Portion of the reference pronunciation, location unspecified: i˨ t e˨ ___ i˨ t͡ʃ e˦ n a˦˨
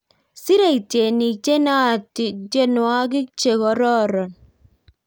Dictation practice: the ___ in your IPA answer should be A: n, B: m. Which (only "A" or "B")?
A